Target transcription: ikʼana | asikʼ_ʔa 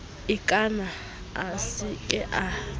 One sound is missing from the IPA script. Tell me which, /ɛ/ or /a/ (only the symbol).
ɛ